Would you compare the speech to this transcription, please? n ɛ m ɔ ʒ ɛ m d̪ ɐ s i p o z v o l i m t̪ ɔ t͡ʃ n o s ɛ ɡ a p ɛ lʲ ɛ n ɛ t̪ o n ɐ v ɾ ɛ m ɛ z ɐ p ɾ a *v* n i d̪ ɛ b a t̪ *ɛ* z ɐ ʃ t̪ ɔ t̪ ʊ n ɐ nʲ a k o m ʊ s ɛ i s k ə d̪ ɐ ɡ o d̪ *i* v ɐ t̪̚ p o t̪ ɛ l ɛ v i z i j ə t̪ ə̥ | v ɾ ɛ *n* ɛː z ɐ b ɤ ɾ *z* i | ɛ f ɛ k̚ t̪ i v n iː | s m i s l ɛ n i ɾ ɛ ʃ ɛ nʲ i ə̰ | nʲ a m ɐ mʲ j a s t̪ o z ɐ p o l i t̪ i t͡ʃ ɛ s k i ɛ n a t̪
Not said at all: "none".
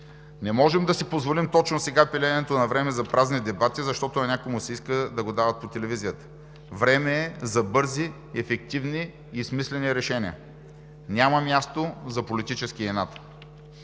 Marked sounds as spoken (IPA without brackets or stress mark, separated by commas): z, i, a, m, z